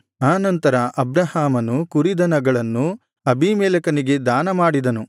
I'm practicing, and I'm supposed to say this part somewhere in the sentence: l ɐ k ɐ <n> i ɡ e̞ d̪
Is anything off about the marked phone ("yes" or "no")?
no